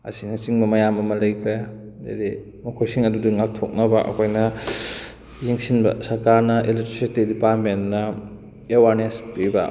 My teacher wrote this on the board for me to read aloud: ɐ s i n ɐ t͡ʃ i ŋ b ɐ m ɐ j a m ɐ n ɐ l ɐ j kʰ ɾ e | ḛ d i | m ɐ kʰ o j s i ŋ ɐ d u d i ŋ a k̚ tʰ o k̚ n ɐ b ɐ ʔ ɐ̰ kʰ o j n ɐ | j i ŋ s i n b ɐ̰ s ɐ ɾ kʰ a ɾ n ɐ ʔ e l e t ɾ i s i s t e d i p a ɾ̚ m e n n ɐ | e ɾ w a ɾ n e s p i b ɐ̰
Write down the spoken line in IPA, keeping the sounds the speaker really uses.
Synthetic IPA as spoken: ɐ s i n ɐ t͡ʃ i ŋ b ɐ m ɐ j a m ɐ m ɐ l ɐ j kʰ ɾ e | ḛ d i | m ɐ kʰ o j s i ŋ ɐ d u d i ŋ a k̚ tʰ o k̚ n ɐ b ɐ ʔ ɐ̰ kʰ o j n ɐ | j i ŋ s i n b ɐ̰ s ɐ ɾ k a ɾ n ɐ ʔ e l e t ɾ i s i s t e d i p a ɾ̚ m e n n ɐ | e w a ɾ n e s p i b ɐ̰